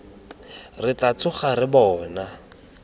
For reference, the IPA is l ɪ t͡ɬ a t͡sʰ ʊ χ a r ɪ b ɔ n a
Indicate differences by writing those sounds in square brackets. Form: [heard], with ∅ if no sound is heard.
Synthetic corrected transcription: [r] ɪ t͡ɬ a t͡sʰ ʊ χ a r ɪ b [ɔː] n a